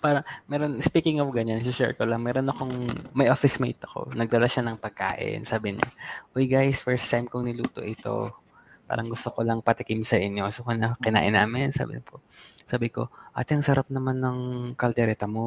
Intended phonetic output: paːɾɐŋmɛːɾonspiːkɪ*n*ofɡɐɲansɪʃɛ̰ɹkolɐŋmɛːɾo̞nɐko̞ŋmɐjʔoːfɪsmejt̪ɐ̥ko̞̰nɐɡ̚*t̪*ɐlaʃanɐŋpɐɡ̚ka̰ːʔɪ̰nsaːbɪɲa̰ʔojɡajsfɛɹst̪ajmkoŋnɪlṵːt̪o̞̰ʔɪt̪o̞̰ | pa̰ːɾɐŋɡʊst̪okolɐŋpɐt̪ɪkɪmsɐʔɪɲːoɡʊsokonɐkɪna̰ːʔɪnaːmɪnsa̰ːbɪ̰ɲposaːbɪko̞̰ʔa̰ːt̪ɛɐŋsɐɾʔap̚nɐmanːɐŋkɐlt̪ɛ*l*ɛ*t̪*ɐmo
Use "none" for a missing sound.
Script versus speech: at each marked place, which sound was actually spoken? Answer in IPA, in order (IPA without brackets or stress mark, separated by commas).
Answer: ŋ, d̪, ɾ, t̪